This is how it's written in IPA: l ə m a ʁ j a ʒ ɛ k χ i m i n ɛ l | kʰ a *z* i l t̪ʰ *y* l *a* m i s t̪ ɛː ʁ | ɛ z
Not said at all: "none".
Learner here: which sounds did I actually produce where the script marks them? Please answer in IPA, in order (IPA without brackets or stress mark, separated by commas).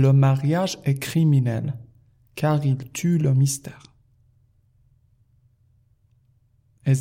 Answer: ʁ, y, ə